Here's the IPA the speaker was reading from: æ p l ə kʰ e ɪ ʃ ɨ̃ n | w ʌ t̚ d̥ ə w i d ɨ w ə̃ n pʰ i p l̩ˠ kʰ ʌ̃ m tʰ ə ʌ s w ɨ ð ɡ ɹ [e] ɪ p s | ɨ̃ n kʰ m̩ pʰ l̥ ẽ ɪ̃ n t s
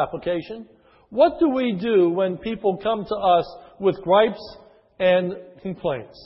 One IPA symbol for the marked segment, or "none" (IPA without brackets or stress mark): a